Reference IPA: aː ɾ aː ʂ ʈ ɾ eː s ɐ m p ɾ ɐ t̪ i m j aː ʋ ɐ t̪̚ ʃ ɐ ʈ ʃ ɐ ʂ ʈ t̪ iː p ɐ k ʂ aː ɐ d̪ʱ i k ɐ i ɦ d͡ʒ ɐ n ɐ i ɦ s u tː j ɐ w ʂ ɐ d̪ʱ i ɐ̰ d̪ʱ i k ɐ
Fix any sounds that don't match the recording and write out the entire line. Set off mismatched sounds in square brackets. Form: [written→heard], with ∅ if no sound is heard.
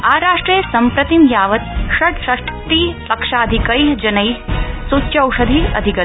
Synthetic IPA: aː ɾ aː ʂ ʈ ɾ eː s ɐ m p ɾ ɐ t̪ i m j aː ʋ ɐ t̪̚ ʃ ɐ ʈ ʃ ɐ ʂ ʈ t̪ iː p ɐ k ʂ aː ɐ d̪ʱ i k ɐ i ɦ d͡ʒ ɐ n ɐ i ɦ s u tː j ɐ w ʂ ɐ d̪ʱ i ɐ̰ d̪ʱ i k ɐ